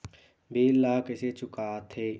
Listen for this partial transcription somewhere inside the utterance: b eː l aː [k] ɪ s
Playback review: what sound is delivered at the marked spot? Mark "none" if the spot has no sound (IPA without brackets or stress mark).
k